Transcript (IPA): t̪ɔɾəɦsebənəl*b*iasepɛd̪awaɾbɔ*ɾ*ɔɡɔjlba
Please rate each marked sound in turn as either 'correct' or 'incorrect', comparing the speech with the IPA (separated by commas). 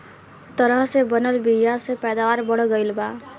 correct, incorrect